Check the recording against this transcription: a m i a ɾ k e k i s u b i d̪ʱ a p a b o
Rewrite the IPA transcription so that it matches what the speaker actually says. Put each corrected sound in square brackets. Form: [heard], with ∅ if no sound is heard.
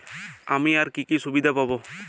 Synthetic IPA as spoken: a m i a ɾ k [i] k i s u b i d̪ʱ a p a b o